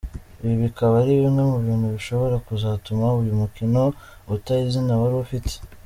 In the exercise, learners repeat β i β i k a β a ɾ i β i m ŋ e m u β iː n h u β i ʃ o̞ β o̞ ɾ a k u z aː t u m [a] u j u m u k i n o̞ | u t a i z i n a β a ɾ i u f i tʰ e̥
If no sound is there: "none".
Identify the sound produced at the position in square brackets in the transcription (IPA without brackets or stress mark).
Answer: a